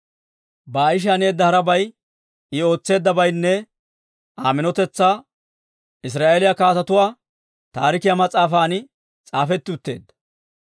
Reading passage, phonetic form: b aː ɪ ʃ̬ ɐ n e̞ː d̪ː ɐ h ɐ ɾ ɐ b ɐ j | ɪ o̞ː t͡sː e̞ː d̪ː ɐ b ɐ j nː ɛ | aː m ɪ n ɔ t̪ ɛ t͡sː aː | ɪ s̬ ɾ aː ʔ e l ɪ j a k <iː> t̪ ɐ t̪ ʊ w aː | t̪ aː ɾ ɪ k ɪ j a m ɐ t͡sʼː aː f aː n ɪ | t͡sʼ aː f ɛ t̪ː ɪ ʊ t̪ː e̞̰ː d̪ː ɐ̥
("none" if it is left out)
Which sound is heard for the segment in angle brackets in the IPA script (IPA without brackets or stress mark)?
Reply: aː